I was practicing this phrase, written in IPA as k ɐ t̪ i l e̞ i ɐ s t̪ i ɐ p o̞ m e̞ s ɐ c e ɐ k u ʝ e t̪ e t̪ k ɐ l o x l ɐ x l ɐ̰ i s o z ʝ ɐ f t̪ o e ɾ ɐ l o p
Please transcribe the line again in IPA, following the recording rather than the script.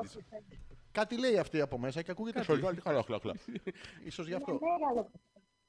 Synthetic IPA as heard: k ɐ t̪ i l e̞ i ɐ f t̪ i ɐ p o̞ m e̞ s ɐ c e ɐ k u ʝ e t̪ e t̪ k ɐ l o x l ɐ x l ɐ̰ i s o z ʝ ɐ f t̪ o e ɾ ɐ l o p